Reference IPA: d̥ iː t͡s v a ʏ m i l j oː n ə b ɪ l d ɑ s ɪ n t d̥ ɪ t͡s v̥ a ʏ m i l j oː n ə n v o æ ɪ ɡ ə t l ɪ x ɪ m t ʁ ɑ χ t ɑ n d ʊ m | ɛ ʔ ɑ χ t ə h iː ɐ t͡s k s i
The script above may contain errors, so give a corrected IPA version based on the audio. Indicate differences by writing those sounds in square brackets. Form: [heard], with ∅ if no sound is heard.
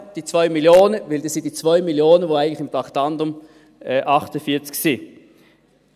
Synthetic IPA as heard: d̥ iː t͡s v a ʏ m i l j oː n ə [v] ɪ l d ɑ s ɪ n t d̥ [i] t͡s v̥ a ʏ m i l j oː n ə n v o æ ɪ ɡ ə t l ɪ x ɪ m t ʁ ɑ χ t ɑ n d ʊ m | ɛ ʔ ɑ χ t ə [f] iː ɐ t͡s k s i